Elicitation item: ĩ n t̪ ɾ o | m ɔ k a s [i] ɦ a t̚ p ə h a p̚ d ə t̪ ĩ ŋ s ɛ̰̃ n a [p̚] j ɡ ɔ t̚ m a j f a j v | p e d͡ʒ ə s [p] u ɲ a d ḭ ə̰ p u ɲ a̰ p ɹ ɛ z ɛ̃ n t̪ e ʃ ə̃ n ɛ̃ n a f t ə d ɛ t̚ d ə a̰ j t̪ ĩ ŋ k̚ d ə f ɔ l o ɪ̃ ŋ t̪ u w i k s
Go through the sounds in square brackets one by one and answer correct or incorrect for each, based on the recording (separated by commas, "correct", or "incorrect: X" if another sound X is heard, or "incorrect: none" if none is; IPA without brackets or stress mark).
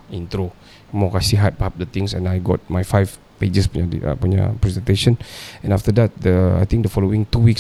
correct, incorrect: none, correct